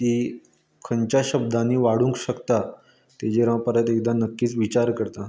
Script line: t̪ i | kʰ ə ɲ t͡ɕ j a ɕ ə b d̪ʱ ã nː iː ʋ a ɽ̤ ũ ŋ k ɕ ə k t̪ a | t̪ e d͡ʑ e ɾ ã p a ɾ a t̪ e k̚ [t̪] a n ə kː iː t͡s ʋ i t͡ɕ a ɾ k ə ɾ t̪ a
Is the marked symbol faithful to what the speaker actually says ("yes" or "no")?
no